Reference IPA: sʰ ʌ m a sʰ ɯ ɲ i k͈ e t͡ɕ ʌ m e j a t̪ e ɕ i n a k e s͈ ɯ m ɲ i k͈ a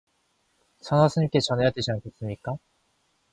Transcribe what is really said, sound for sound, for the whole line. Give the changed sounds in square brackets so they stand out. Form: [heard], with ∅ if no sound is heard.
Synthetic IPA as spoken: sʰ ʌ [n] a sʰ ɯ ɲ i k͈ e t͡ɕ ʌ [n] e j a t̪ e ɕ i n a k e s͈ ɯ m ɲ i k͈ a